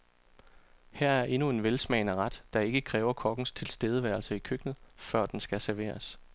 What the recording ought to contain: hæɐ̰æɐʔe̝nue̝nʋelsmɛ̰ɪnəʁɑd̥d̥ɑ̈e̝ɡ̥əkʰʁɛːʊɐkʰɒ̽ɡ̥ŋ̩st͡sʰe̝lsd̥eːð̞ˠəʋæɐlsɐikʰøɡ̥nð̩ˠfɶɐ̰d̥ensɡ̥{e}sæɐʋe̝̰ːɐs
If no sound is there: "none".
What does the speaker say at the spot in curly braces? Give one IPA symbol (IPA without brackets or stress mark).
æ